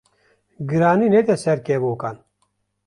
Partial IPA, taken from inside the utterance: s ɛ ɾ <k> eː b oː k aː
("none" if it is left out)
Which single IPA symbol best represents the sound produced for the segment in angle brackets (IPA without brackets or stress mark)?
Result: k